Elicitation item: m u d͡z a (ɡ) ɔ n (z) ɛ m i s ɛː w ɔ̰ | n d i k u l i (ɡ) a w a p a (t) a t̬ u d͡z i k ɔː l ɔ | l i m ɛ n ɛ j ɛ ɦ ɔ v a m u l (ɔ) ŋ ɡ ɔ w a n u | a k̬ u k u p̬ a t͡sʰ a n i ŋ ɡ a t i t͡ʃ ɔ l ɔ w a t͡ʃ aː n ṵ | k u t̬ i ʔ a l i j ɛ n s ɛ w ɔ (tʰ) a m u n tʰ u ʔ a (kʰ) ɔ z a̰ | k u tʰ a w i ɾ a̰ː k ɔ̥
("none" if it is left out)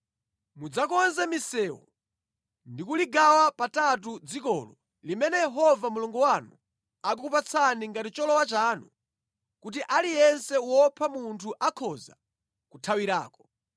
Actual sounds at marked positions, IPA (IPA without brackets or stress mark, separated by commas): k, z, ɡ, t, u, pʰ, kʰ